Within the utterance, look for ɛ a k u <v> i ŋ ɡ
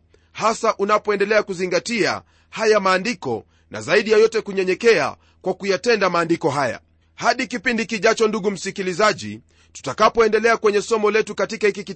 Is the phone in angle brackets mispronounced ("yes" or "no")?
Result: yes